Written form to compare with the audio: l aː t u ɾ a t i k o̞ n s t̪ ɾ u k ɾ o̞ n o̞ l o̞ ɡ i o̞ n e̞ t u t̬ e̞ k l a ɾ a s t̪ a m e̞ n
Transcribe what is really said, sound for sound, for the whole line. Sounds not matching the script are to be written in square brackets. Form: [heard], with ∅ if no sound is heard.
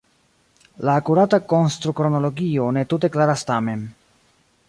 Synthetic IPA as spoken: l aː [k] u ɾ a t [a] k o̞ n s t̪ ɾ u k ɾ o̞ n o̞ l o̞ ɡ i o̞ n e̞ t u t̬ e̞ k l a ɾ a s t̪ a m e̞ n

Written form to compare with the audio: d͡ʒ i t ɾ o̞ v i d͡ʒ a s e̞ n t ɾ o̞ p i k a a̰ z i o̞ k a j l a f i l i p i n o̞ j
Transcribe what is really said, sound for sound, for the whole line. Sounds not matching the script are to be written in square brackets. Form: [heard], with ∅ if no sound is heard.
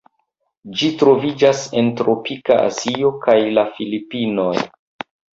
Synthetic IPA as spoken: d͡ʒ i t ɾ o̞ v i d͡ʒ a s e̞ n t ɾ o̞ p i k a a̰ z i o̞ k a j l a f i l i p i n o̞ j

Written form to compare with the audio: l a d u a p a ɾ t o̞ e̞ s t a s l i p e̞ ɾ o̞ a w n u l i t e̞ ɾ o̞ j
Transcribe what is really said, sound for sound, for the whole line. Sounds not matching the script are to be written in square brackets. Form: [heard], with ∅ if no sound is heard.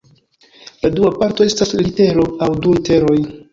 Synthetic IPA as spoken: l a d u a p a ɾ t o̞ e̞ s t a s l i [t] e̞ ɾ o̞ a w [d] u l i t e̞ ɾ o̞ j

